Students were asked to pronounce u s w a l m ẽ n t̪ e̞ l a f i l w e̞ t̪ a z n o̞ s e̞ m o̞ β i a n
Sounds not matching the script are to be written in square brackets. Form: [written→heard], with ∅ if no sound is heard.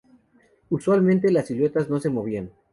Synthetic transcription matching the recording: u s w a l m ẽ n t̪ e̞ l a [f→s] i l w e̞ t̪ a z n o̞ s e̞ m o̞ β i a n